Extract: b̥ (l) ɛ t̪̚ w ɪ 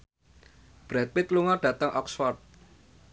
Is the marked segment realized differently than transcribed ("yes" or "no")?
yes